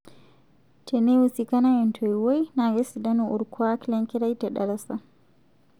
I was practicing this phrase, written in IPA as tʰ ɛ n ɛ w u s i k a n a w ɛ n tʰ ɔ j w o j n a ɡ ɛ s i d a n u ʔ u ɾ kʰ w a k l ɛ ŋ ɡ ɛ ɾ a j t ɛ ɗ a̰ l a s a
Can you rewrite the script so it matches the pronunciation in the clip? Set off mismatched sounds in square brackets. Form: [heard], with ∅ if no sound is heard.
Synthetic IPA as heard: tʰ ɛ n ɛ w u s i k a n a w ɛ n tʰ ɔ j w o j n a ɡ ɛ s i d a n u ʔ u ɾ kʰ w a k l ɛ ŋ [k] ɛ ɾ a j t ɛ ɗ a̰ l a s a